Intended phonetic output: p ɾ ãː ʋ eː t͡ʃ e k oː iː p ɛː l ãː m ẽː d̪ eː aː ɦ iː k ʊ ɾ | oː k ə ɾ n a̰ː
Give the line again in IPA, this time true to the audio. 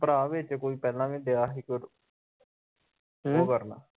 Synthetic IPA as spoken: p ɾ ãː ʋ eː t͡ʃ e k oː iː p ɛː l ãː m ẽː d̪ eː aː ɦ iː k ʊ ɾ | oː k ə ɾ n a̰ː